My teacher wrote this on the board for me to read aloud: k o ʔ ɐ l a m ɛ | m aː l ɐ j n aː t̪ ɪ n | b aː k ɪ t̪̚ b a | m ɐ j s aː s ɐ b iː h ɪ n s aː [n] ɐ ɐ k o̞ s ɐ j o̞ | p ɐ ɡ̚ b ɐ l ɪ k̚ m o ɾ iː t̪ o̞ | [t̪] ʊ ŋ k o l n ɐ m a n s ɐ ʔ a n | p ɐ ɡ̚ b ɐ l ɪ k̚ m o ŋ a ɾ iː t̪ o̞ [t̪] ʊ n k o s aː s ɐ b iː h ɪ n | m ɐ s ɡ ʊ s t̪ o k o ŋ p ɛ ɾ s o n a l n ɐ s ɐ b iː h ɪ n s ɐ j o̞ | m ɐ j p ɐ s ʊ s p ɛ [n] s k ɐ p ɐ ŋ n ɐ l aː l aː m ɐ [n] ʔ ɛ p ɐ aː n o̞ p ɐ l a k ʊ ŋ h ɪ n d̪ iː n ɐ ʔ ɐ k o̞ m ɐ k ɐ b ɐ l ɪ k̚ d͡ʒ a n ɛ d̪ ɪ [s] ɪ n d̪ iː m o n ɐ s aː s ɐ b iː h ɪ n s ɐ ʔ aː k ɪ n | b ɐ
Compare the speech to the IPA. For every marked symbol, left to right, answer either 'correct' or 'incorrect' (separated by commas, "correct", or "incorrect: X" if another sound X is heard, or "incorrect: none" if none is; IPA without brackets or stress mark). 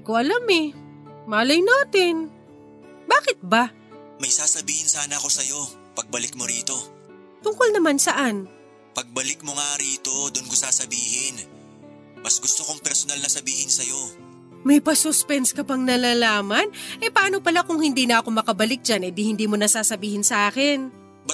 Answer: correct, correct, incorrect: d̪, correct, correct, incorrect: h